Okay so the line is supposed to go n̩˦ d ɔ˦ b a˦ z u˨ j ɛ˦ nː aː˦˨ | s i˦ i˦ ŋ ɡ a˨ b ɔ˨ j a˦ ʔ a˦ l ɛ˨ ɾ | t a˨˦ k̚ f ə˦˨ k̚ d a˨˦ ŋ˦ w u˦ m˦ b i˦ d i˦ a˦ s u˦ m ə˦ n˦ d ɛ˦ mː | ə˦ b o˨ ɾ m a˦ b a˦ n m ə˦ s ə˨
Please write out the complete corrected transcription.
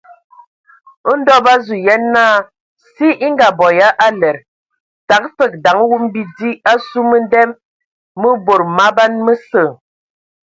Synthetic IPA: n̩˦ d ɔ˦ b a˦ z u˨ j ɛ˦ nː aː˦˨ | s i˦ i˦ ŋ ɡ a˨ b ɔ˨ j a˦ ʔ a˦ l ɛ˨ ɾ | t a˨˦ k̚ f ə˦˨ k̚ d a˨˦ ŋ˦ w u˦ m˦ b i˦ d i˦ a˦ s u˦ m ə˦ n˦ d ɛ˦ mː | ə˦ b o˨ ɾ m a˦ b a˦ n m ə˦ s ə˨